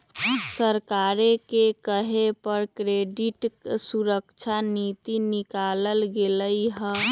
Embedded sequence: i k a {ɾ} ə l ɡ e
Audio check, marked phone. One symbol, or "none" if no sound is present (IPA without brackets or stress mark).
l